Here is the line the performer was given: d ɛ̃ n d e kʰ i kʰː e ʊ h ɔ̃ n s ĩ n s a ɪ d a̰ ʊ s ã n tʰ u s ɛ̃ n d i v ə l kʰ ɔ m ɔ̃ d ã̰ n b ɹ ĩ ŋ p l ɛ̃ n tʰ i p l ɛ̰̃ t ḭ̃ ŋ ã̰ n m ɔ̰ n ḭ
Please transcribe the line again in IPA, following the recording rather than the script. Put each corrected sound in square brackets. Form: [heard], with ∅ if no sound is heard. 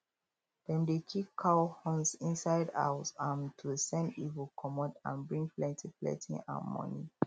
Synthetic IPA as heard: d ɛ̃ n d e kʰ i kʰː [a] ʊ h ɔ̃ n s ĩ n s a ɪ d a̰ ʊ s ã n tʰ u s ɛ̃ n d i v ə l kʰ ɔ m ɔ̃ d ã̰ n b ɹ ĩ ŋ p l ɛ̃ n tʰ i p l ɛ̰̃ t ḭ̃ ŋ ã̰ n m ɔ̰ n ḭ